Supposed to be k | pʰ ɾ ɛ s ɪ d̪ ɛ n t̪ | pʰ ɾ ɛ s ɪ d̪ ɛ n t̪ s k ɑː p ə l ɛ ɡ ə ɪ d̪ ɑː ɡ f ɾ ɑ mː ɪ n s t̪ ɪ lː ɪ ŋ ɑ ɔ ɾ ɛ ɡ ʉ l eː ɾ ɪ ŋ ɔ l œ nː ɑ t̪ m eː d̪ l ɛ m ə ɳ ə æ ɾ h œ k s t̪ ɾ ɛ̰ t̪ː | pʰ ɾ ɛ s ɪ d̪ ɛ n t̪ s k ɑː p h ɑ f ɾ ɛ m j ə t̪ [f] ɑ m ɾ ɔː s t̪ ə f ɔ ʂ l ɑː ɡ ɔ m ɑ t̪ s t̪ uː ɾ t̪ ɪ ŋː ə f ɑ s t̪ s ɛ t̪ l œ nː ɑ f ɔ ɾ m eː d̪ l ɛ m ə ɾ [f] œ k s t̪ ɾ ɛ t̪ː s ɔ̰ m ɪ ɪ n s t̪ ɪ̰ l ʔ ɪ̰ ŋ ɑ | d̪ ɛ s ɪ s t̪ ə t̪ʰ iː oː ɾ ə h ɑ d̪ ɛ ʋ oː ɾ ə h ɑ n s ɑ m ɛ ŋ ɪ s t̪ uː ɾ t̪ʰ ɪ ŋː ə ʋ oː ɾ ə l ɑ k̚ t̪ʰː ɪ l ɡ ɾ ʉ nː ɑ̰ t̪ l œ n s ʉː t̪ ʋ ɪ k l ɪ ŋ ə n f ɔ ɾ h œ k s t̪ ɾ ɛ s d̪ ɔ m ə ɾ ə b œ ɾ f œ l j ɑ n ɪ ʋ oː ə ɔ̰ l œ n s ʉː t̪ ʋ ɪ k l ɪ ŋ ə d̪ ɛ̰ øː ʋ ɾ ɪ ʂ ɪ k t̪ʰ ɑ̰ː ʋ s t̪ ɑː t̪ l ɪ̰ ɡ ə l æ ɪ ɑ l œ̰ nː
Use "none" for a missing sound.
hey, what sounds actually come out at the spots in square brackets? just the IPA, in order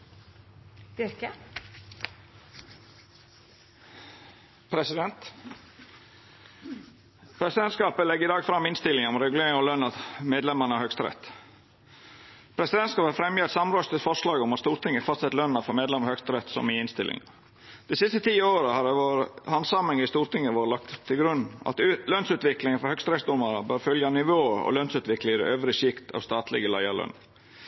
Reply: s, h

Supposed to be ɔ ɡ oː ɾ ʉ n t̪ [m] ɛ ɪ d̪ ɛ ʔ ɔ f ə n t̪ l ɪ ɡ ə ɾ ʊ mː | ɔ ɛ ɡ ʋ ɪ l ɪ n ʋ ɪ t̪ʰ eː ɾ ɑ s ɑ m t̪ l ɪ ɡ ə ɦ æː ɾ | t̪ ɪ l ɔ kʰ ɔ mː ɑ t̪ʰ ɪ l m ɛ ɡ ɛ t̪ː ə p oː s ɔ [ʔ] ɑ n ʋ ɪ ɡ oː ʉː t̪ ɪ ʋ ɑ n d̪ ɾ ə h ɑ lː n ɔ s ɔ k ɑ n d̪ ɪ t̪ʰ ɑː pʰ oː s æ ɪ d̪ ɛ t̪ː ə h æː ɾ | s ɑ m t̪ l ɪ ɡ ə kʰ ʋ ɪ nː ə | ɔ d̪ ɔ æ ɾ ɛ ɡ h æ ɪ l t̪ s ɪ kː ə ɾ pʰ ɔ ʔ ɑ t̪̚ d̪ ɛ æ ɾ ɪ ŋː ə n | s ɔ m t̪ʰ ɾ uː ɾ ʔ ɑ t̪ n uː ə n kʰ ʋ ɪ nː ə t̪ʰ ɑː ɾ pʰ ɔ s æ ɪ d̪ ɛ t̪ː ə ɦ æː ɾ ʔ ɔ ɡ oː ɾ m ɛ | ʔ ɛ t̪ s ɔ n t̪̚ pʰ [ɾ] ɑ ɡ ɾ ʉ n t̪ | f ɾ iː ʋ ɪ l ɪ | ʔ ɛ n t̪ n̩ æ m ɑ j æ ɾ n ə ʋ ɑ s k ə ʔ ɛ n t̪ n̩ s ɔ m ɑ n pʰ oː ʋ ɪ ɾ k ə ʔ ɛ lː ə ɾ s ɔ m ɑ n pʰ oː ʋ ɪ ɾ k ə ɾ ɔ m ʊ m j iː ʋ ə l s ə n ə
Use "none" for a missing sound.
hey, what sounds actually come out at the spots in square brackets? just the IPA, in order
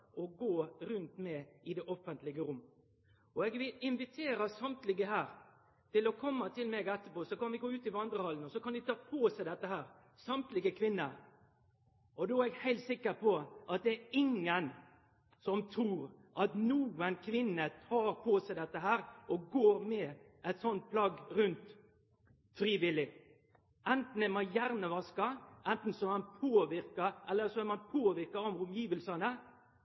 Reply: m, k, l

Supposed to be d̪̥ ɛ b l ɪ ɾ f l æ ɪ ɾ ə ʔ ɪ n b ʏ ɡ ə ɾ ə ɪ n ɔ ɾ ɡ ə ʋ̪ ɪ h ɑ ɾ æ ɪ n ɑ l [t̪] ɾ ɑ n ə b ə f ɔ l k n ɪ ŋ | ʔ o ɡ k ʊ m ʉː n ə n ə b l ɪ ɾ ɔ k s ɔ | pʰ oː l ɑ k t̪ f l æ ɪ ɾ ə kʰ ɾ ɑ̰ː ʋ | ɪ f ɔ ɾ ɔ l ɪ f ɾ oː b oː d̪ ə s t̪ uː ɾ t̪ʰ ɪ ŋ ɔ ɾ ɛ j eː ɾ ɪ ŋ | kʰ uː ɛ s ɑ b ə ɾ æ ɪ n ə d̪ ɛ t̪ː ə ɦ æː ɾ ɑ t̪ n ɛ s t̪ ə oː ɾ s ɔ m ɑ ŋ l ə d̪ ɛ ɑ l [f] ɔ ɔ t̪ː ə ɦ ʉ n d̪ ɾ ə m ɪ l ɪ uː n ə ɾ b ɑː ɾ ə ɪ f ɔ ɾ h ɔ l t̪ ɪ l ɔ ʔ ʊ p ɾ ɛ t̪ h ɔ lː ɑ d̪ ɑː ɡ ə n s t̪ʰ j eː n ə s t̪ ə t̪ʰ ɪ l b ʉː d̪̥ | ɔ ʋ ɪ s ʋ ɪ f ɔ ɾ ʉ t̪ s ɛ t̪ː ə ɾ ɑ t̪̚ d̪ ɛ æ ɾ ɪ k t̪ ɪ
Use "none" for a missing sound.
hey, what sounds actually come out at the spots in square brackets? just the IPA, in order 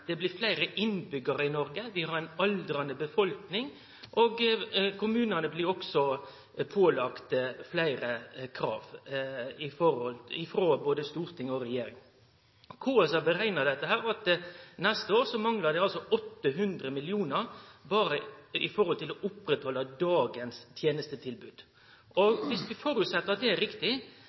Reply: d̪, s

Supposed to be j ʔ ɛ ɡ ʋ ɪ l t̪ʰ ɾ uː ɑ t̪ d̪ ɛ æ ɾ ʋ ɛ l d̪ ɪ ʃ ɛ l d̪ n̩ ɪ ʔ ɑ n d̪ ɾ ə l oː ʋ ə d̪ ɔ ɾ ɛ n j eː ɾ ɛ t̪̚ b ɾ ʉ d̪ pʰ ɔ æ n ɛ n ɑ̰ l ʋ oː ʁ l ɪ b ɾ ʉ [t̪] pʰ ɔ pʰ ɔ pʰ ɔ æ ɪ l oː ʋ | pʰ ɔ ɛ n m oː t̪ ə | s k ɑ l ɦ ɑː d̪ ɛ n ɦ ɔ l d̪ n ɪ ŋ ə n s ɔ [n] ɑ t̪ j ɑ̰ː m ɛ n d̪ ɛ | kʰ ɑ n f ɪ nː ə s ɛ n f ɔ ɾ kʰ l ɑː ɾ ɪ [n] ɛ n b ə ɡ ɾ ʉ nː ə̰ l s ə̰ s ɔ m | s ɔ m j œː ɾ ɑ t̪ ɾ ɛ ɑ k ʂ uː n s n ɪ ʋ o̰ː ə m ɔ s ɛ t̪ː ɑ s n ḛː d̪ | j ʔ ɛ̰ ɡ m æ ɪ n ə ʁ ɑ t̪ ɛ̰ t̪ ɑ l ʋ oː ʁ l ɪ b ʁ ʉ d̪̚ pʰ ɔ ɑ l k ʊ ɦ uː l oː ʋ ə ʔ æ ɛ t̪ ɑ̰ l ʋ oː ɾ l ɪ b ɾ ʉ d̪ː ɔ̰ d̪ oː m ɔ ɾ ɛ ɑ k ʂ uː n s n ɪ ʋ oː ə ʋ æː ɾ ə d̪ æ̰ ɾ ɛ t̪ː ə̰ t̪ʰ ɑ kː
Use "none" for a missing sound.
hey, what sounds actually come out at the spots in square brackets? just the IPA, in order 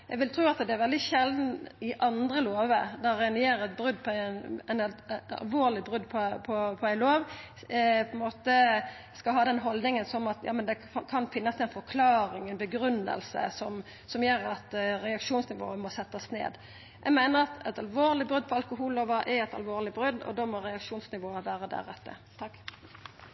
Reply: d̪, m, ŋ

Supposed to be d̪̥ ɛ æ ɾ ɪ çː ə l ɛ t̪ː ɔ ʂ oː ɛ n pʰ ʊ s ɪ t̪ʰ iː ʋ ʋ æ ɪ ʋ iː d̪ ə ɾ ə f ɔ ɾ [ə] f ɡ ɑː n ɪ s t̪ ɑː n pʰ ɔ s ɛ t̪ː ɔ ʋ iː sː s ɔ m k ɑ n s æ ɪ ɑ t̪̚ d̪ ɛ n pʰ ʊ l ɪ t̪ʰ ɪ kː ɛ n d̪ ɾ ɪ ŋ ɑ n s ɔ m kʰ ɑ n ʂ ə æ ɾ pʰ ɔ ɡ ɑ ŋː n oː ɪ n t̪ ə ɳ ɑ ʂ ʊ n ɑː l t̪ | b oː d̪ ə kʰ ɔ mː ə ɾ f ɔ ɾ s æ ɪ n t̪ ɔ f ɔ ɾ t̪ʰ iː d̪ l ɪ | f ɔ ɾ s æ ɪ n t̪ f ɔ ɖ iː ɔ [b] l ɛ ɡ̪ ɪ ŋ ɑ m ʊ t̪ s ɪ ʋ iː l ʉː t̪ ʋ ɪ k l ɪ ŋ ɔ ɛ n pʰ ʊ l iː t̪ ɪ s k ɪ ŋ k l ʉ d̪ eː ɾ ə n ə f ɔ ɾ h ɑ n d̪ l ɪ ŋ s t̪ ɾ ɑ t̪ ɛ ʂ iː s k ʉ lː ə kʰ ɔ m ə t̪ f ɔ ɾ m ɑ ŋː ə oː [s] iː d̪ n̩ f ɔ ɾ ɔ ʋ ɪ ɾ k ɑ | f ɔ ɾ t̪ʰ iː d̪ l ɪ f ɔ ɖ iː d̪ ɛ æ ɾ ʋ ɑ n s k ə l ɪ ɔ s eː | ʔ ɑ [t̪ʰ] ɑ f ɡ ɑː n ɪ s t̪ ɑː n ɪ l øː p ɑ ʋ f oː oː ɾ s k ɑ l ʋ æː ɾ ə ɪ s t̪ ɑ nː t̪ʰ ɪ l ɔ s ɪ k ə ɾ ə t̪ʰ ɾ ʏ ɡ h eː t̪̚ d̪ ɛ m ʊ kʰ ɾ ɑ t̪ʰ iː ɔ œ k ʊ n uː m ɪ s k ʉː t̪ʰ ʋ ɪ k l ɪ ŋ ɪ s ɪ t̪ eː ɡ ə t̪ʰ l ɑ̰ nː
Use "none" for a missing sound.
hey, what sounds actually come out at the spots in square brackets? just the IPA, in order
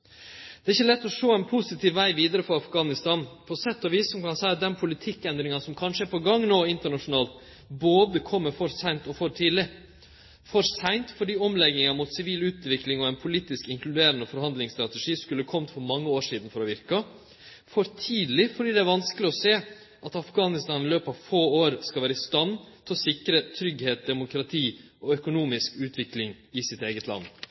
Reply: ɑ, m, ʂ, t̪

